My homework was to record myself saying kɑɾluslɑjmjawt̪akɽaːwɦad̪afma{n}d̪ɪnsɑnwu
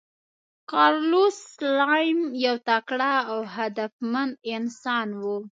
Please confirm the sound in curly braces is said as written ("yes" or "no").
yes